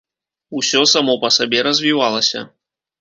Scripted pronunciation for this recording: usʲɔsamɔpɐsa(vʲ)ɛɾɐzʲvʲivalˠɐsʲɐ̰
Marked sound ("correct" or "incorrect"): incorrect